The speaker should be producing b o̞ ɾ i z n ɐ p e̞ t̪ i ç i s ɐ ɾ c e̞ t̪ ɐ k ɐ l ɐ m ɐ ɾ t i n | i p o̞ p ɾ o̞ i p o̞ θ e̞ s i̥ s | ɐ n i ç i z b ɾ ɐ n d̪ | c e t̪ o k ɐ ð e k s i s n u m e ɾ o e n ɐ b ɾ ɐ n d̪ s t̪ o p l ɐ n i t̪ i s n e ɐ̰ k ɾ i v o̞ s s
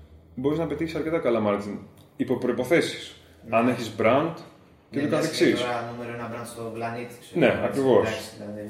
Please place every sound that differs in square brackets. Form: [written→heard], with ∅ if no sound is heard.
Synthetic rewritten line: b o̞ ɾ i z n ɐ p e̞ t̪ i ç i s ɐ ɾ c e̞ t̪ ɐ k ɐ l ɐ m ɐ ɾ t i n | i p o̞ p ɾ o̞ i p o̞ θ e̞ s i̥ s | ɐ n [i→e] ç i z b ɾ ɐ n d̪ | c e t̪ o k ɐ [ð→θ] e k s i s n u m e ɾ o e n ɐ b ɾ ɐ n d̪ s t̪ o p l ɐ n i t̪ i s n e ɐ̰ k ɾ i v o̞ s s